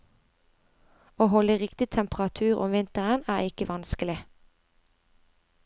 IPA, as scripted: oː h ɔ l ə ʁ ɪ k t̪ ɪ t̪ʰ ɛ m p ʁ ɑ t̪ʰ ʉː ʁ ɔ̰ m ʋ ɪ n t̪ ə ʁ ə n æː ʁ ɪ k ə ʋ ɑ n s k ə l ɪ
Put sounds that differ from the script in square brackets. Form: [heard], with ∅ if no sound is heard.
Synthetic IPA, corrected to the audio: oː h ɔ l ə ʁ ɪ k t̪ ɪ t̪ʰ ɛ m p ʁ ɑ t̪ʰ ʉː ʁ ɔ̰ m ʋ ɪ n t̪ ə ʁ ə n æː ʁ ɪ k ə ʋ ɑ n s k ə l ɪ